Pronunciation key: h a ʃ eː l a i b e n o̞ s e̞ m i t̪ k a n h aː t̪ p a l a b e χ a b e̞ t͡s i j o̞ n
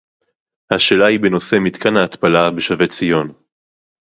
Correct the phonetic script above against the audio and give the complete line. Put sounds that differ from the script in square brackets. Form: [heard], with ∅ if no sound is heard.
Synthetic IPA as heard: h a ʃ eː l a i b e n o̞ s e̞ m i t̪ k a n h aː t̪ p a l a b e [ʃ] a [v] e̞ t͡s i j o̞ n